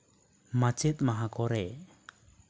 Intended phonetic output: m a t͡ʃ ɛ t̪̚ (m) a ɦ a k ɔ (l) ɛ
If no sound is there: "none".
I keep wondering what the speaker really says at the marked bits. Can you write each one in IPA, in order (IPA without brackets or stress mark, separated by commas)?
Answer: m, ɾ